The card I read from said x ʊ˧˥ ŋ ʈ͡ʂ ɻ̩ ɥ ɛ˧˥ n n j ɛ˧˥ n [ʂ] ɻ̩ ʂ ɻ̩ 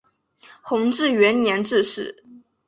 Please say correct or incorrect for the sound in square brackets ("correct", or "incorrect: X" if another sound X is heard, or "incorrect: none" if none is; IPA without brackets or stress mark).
incorrect: ʈ͡ʂ